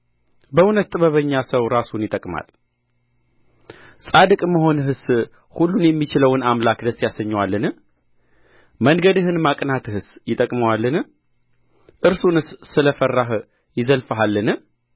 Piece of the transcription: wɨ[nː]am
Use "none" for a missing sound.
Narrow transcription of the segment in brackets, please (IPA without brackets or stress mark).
n